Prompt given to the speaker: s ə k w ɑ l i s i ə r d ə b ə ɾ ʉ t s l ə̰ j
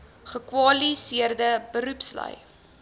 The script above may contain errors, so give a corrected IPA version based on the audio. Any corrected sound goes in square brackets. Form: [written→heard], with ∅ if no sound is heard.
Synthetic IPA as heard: [s→χ] ə k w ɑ l i s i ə r d ə b ə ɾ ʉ [t→p] s l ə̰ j